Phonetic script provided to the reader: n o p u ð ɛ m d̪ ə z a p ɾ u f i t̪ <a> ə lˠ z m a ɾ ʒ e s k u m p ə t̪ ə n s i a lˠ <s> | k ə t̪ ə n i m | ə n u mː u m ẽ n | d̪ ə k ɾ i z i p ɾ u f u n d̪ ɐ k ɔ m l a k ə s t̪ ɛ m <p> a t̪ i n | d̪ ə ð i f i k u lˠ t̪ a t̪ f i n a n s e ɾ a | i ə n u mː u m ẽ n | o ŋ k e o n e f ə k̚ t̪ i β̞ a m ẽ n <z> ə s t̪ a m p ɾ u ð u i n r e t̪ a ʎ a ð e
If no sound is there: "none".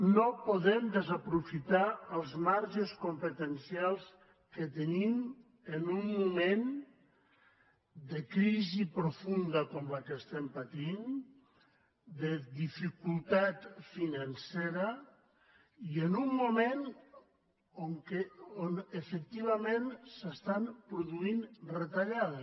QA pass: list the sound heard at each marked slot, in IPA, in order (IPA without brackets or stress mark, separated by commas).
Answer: a, s, p, s